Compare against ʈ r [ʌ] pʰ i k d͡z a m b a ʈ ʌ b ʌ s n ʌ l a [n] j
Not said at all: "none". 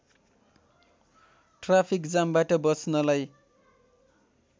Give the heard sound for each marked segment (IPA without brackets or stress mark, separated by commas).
a, none